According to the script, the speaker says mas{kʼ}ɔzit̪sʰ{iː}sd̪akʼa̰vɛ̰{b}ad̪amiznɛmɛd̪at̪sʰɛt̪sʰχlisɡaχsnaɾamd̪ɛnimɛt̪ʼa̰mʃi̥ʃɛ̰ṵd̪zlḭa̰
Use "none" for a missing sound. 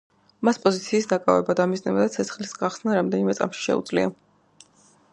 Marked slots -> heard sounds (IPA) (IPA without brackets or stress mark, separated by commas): pʼ, iː, b